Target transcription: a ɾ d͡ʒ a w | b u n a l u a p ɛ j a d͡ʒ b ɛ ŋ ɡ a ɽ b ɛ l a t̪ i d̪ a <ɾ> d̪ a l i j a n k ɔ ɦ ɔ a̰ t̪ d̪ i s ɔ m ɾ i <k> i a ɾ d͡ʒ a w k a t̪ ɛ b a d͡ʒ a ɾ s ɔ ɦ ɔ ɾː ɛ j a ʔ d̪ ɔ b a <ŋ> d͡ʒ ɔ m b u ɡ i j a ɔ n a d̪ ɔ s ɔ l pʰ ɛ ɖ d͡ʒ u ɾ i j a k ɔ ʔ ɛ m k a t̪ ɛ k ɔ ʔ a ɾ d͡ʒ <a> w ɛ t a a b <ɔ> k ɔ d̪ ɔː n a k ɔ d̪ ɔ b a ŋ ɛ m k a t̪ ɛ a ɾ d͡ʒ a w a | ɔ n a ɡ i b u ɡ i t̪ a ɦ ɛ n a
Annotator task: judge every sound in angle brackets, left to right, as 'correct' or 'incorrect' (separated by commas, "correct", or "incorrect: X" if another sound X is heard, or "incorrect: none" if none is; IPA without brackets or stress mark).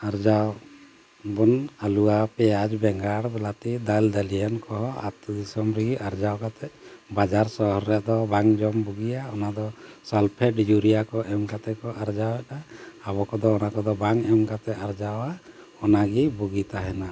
incorrect: l, incorrect: ɡ, correct, correct, correct